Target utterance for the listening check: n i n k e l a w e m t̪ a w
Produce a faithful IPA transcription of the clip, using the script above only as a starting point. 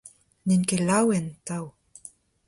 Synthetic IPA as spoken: n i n k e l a w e n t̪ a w

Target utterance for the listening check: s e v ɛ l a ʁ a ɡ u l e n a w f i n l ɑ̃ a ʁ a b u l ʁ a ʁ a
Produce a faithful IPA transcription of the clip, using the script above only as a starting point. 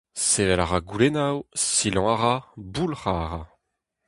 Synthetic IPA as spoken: s e v ɛ l a ʁ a ɡ u l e n a w s i l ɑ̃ a ʁ a b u l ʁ a ʁ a

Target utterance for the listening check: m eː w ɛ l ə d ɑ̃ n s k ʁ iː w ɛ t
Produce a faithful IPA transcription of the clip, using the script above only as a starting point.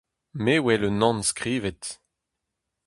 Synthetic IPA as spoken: m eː w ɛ l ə n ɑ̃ n s k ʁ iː v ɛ t

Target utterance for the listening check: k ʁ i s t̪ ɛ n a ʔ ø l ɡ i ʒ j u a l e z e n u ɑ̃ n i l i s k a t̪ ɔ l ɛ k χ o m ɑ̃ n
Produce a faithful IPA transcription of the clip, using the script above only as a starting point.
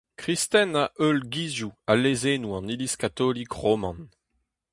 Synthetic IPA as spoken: k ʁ i s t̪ ɛ n a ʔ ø l ɡ i z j u a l e z e n u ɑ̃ n i l i s k a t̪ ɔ l i k ʁ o m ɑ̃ n

